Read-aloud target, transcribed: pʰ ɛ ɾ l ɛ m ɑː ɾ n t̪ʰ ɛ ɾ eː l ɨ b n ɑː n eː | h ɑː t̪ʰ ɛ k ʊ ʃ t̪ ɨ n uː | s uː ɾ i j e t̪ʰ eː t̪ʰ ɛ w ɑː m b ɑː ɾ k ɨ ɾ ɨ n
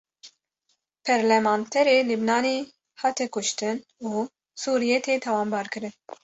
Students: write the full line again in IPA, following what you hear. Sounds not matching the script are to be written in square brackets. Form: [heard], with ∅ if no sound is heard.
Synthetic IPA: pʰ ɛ ɾ l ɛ m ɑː [∅] n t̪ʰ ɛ ɾ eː l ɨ b n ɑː n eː | h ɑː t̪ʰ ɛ k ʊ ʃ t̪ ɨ n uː | s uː ɾ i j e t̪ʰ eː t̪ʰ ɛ w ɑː m b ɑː ɾ k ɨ ɾ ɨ n